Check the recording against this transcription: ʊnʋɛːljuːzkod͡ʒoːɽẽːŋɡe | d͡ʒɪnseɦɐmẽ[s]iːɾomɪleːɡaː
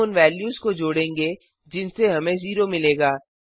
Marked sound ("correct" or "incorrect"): incorrect